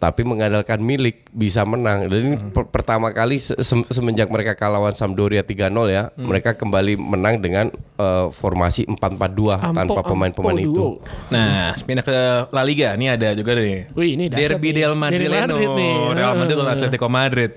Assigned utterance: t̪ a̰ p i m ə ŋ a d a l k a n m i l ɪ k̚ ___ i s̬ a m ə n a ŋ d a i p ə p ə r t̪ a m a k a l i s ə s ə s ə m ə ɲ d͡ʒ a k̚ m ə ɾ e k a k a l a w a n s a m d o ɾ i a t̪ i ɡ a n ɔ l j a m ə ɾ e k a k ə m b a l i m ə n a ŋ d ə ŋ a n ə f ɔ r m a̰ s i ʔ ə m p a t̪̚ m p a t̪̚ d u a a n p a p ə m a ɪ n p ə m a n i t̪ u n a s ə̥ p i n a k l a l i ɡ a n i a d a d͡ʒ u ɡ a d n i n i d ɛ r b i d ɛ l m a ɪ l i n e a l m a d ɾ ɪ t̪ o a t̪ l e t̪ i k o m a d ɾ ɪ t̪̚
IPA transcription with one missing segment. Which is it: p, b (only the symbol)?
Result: b